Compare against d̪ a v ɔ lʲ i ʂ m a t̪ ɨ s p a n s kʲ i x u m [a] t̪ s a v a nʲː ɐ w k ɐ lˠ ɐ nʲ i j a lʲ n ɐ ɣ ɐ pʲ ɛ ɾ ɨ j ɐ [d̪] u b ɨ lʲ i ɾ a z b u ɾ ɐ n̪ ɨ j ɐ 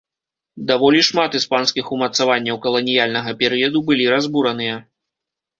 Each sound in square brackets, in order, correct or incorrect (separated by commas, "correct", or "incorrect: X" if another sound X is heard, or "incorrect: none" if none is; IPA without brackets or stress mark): incorrect: ɐ, correct